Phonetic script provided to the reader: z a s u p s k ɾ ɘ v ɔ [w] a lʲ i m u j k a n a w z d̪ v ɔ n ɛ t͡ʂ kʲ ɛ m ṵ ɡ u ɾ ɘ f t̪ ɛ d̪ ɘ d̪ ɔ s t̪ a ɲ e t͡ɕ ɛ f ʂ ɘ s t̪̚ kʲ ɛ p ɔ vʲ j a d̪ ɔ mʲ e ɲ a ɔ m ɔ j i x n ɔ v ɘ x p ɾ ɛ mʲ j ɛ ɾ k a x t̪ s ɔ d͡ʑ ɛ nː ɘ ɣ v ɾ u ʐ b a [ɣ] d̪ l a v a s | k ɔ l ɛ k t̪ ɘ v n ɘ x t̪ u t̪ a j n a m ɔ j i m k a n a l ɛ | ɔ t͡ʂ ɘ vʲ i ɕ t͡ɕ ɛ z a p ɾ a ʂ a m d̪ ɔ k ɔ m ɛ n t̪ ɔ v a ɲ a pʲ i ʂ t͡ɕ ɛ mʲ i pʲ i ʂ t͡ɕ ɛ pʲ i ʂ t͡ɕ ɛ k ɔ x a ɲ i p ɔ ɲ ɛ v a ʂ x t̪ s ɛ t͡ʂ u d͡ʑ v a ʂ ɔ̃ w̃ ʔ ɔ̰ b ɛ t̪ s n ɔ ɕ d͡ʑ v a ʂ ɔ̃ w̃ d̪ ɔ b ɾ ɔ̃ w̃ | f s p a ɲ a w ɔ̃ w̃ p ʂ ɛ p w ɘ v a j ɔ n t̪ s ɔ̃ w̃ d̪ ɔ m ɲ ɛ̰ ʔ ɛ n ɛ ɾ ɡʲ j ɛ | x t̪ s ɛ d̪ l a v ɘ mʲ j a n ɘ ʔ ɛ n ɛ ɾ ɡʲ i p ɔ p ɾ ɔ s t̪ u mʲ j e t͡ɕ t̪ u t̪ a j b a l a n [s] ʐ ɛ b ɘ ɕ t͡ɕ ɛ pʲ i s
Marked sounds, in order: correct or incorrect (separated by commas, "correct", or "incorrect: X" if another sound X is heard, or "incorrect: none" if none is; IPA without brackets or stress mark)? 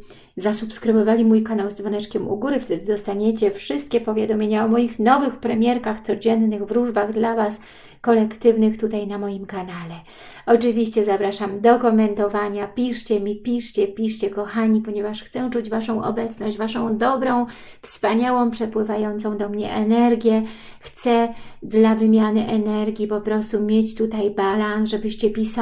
incorrect: v, correct, correct